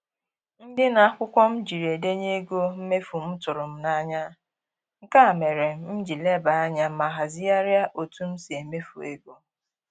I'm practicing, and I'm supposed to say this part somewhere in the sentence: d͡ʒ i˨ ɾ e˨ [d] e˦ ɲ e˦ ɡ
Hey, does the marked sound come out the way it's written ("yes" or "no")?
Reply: yes